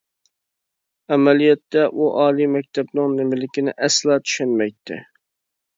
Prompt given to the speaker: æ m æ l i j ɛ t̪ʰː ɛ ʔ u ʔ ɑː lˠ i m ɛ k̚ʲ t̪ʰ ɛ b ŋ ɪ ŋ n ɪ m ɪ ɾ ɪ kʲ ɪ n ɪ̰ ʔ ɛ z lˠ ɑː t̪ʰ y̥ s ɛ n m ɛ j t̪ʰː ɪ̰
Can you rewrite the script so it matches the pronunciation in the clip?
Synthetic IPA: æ m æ l i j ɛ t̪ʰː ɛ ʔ u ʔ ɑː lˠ i m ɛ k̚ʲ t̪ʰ ɛ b n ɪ ŋ n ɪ m ɪ l ɪ kʲ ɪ n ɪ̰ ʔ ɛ s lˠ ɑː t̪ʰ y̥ ʃ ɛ n m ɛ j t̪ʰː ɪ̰